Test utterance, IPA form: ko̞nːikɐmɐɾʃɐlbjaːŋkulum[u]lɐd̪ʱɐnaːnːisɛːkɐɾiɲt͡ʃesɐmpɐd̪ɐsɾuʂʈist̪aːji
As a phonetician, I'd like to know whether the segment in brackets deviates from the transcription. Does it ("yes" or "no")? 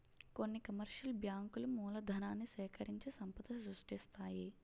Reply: yes